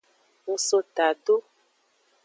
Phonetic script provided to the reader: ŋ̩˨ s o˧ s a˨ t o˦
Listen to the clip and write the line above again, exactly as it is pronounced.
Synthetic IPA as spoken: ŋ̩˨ s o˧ t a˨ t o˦